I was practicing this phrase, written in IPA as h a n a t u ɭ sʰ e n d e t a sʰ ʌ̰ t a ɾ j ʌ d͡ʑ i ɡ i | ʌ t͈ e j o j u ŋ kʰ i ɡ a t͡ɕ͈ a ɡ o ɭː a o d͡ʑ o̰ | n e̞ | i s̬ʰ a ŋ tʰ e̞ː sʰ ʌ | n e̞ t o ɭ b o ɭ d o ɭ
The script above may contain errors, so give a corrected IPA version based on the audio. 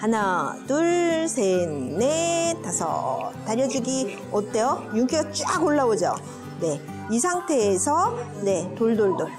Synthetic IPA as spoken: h a n a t u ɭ sʰ e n n e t a sʰ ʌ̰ t a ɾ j ʌ d͡ʑ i ɡ i | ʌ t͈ e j o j u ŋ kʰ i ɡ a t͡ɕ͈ a ɡ o ɭː a o d͡ʑ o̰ | n e̞ | i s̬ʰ a ŋ tʰ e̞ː sʰ ʌ | n e̞ t o ɭ d o ɭ d o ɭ

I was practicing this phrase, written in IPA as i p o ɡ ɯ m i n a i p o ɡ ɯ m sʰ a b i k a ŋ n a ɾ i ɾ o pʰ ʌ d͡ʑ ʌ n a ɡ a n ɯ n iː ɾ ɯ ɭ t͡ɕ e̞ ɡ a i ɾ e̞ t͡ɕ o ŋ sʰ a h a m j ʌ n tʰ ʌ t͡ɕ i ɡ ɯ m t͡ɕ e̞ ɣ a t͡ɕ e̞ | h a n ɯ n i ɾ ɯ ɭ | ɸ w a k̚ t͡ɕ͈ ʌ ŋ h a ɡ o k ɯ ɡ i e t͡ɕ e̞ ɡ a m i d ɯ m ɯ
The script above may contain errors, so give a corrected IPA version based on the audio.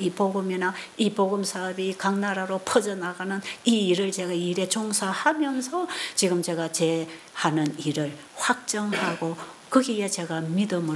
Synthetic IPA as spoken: i p o ɡ ɯ m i n a i p o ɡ ɯ m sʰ a b i k a ŋ n a ɾ a ɾ o pʰ ʌ d͡ʑ ʌ n a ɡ a n ɯ n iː ɾ ɯ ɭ t͡ɕ e̞ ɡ a i ɾ e̞ t͡ɕ o ŋ sʰ a h a m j ʌ n sʰ ʌ t͡ɕ i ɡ ɯ m t͡ɕ e̞ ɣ a t͡ɕ e̞ | h a n ɯ n i ɾ ɯ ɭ | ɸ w a k̚ t͡ɕ͈ ʌ ŋ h a ɡ o k ɯ ɡ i e t͡ɕ e̞ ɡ a m i d ɯ m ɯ

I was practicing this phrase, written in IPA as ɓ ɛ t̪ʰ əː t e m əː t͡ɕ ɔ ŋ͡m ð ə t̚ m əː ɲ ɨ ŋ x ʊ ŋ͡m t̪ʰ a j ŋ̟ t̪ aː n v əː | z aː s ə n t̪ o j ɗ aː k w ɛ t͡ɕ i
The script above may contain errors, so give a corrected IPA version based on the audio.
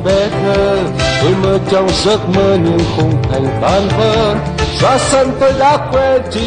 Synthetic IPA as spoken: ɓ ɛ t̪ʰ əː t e m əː t͡ɕ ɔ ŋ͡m z ə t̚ m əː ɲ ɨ ŋ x ʊ ŋ͡m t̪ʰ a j ŋ̟ t̪ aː n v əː | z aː s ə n t̪ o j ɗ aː k w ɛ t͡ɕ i

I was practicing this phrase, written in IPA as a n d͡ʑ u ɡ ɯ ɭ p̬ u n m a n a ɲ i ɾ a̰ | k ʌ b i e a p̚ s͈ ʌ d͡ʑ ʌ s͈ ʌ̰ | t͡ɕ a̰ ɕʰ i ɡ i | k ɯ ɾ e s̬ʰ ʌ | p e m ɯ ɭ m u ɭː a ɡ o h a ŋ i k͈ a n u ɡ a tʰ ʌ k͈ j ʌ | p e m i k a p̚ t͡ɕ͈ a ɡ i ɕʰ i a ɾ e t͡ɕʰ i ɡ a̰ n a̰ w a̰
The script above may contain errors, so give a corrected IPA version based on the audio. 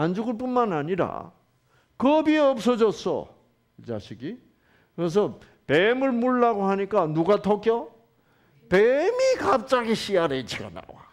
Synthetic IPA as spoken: a n d͡ʑ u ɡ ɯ ɭ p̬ u n m a n a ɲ i ɾ a̰ | k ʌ b i e ʌ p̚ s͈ ʌ d͡ʑ ʌ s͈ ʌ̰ | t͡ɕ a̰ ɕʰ i ɡ i | k ɯ ɾ e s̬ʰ ʌ | p e m ɯ ɭ m u ɭː a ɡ o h a ɲ i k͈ a n u ɡ a tʰ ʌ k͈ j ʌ | p e m i k a p̚ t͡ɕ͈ a ɡ i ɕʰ i a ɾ e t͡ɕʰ i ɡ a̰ n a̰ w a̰

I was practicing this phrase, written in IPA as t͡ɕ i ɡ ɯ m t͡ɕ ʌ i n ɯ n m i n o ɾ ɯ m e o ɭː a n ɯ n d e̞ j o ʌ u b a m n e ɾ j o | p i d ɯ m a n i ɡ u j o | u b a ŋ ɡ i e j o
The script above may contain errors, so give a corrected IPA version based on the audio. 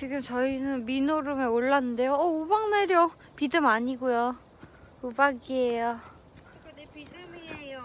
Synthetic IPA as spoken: t͡ɕ i ɡ ɯ m t͡ɕ ʌ i n ɯ n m i n o ɾ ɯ m e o ɭː a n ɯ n d e̞ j o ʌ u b a ŋ n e ɾ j o | p i d ɯ m a ɲ i ɡ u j o | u b a ɡ i e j o

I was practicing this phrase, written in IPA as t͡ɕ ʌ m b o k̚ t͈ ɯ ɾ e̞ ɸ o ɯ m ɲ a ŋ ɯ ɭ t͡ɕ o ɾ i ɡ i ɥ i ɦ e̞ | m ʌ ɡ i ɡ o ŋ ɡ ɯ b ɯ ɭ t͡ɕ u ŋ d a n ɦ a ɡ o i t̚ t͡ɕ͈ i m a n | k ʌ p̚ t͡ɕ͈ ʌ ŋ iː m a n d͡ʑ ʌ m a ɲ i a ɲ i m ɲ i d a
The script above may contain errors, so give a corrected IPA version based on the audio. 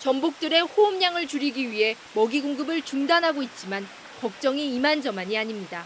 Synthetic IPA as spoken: t͡ɕ ʌ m b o k̚ t͈ ɯ ɾ e̞ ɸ o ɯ m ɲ a ŋ ɯ ɭ t͡ɕ u ɾ i ɡ i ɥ i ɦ e̞ | m ʌ ɡ i ɡ o ŋ ɡ ɯ b ɯ ɭ t͡ɕ u ŋ d a n ɦ a ɡ o i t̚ t͡ɕ͈ i m a n | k ʌ k̚ t͡ɕ͈ ʌ ŋ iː m a n d͡ʑ ʌ m a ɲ i a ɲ i m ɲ i d a

